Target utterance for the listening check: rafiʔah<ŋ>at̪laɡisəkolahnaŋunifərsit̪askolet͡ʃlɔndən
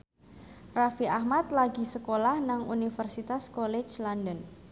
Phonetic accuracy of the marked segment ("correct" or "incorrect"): incorrect